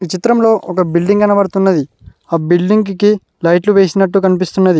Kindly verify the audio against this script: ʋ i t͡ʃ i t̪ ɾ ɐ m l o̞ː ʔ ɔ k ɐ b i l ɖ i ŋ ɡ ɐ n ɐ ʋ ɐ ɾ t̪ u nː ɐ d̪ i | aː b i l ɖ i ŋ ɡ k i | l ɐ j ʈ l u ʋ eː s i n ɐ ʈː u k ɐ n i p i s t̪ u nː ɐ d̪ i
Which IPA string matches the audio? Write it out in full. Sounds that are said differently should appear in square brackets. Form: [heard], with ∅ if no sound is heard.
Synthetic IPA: ʋ i t͡ʃ i t̪ ɾ ɐ m l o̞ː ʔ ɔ k ɐ b i l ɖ i ŋ ɡ ɐ n ɐ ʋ ɐ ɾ t̪ u nː ɐ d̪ i | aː b i l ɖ i ŋ ɡ k i | l ɐ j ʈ l u ʋ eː s i n ɐ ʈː u k ɐ n i p i s t̪ u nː ɐ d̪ i

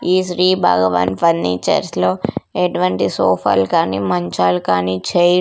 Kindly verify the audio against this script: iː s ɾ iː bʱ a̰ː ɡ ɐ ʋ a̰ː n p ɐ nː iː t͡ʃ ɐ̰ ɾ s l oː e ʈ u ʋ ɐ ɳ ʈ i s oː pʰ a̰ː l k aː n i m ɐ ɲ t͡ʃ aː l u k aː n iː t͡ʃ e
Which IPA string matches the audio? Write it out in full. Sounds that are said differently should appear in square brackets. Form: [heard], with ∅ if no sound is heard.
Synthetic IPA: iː s ɾ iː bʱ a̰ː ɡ ɐ ʋ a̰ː n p ɐ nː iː t͡ʃ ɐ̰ ɾ s l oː e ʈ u ʋ ɐ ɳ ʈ i s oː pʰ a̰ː l k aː n i m ɐ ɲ t͡ʃ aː l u k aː n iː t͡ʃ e

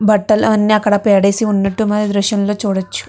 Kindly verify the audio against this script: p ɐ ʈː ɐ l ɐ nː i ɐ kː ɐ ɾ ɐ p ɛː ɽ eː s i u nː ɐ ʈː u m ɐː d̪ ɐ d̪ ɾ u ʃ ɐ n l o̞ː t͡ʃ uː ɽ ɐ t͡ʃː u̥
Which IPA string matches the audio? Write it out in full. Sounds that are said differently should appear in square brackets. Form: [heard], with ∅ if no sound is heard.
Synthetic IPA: [b] ɐ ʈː ɐ l ɐ nː i ɐ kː ɐ [ɽ] ɐ p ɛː ɽ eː s i u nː ɐ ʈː u m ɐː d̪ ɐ d̪ ɾ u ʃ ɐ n l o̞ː t͡ʃ uː ɽ ɐ t͡ʃː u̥

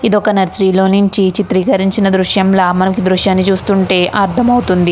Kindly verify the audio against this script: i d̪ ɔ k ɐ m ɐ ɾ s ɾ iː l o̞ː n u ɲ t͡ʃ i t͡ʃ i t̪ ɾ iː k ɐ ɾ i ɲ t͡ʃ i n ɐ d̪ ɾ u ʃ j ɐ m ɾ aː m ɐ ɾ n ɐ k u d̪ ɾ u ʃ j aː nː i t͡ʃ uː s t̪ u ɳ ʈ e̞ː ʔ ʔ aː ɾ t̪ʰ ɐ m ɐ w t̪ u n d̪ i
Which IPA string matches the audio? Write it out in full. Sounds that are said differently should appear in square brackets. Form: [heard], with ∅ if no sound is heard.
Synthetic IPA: i d̪ ɔ k ɐ [n] ɐ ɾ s ɾ iː l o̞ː n u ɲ t͡ʃ i t͡ʃ i t̪ ɾ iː k ɐ ɾ i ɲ t͡ʃ i n ɐ d̪ ɾ u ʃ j ɐ m [l] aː m ɐ [∅] n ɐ k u d̪ ɾ u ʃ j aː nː i t͡ʃ uː s t̪ u ɳ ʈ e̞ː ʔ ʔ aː ɾ t̪ʰ ɐ m ɐ w t̪ u n d̪ i

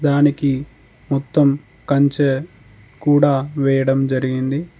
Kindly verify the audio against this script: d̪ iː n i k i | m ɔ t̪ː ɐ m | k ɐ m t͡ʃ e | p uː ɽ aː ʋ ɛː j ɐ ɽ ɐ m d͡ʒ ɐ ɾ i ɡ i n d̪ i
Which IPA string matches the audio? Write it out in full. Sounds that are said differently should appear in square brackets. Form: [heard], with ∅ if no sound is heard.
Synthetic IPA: d̪ [aː] n i k i | m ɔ t̪ː ɐ m | k ɐ [ɲ] t͡ʃ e | [k] uː ɽ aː ʋ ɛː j ɐ ɽ ɐ m d͡ʒ ɐ ɾ i ɡ i n d̪ i

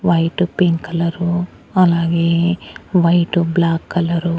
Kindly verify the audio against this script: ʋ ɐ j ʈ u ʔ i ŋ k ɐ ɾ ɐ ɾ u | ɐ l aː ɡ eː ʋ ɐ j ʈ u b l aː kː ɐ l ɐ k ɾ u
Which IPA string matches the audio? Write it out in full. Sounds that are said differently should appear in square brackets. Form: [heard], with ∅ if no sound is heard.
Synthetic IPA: ʋ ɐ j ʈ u [p] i ŋ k ɐ [l] ɐ ɾ u | ɐ l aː ɡ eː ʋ ɐ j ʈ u b l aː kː ɐ l ɐ [∅] ɾ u

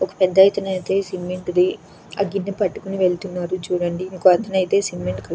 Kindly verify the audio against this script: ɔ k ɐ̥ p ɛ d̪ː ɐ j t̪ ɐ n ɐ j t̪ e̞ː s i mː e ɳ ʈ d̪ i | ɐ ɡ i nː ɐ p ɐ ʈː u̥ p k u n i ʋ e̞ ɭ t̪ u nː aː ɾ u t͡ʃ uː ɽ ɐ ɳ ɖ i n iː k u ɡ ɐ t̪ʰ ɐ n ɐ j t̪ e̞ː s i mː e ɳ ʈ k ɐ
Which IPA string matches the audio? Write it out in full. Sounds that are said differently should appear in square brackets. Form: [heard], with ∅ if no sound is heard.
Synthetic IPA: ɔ k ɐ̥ p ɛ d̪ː ɐ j t̪ ɐ n ɐ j t̪ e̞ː s i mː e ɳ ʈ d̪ i | ɐ ɡ i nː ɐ p ɐ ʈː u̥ [∅] k u n i ʋ e̞ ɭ t̪ u nː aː ɾ u t͡ʃ uː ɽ ɐ ɳ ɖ i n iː k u [∅] ɐ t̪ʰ ɐ n ɐ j t̪ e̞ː s i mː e ɳ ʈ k ɐ

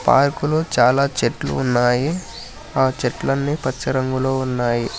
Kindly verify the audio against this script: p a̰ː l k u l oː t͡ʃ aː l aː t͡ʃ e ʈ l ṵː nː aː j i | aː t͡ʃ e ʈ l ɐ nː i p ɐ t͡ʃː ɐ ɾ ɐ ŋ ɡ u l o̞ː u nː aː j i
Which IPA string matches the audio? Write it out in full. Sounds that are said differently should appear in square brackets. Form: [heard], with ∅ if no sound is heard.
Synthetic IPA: p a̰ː [ɾ] k u l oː t͡ʃ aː l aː t͡ʃ e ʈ l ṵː nː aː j i | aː t͡ʃ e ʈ l ɐ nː i p ɐ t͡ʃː ɐ ɾ ɐ ŋ ɡ u l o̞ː u nː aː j i

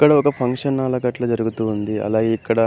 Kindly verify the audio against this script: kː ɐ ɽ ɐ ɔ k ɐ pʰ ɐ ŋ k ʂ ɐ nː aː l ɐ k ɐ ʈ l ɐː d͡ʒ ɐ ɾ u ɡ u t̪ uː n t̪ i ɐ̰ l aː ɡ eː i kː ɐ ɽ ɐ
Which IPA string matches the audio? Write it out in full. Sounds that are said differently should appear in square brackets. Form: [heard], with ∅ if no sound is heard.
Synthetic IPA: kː ɐ ɽ ɐ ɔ k ɐ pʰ ɐ ŋ k ʂ ɐ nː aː l ɐ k ɐ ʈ l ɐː d͡ʒ ɐ ɾ u ɡ u t̪ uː n [d̪] i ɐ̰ l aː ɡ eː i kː ɐ ɽ ɐ

